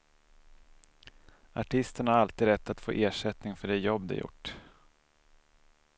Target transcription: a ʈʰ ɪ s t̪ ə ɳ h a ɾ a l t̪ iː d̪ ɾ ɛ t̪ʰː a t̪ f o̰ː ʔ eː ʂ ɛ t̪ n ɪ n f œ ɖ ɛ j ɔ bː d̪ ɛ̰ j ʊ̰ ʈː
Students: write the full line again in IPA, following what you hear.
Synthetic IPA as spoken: a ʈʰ ɪ s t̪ ə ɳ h a ɾ a l t̪ iː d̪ ɾ ɛ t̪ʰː a t̪ f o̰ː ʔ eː ʂ ɛ t̪ n ɪ ŋ f œ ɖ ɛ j ɔ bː d̪ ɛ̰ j ʊ̰ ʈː